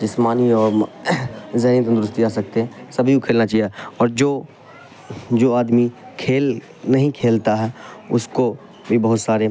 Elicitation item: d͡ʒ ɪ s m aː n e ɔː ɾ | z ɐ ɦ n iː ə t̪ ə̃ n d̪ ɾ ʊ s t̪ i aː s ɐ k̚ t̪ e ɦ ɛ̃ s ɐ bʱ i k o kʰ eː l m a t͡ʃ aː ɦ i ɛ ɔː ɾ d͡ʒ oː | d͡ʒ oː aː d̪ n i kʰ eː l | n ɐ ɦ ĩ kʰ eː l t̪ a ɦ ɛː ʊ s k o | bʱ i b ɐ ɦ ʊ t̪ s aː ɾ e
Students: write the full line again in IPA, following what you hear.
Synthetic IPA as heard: d͡ʒ ɪ s m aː n i ɔː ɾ | z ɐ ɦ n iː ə t̪ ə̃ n d̪ ɾ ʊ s t̪ i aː s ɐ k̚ t̪ e ɦ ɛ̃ s ɐ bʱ i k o kʰ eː l n a t͡ʃ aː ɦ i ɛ ɔː ɾ d͡ʒ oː | d͡ʒ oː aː d̪ m i kʰ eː l | n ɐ ɦ ĩ kʰ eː l t̪ a ɦ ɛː ʊ s k o | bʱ i b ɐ ɦ ʊ t̪ s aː ɾ e